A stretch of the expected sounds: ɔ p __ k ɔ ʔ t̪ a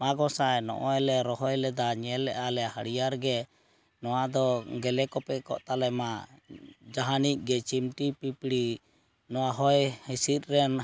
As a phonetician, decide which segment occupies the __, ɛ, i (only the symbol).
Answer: ɛ